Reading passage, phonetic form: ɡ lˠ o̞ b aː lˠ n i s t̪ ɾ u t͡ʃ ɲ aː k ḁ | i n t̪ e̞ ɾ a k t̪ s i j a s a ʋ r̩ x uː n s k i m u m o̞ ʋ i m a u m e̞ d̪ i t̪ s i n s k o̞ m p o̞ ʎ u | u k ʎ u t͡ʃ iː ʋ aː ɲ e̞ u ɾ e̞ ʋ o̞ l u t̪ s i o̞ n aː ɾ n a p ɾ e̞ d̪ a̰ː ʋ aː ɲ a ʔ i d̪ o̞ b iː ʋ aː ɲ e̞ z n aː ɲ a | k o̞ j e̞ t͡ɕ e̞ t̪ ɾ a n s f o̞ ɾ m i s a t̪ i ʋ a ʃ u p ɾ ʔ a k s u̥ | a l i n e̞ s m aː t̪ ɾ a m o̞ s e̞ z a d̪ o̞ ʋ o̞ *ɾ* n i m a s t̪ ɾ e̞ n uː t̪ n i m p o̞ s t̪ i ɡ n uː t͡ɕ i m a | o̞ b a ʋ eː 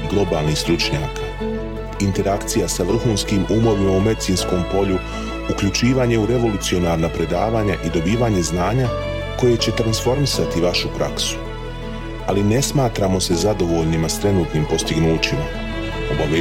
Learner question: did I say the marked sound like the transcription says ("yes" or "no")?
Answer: no